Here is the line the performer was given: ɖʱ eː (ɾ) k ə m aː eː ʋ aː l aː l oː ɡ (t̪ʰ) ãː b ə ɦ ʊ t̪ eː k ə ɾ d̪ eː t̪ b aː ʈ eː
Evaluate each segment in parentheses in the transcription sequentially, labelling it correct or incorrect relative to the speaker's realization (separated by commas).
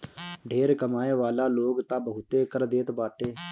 correct, incorrect